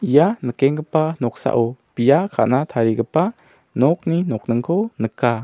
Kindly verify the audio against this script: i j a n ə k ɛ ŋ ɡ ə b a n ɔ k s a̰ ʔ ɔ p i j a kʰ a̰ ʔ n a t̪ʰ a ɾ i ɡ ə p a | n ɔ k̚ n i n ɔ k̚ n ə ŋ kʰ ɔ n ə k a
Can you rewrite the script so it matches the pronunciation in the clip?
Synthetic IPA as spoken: i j a n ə k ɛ ŋ ɡ ə p a n ɔ k s a̰ ʔ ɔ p i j a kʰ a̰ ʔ n a t̪ʰ a ɾ i ɡ ə p a | n ɔ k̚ n i n ɔ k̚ n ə ŋ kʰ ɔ n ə k a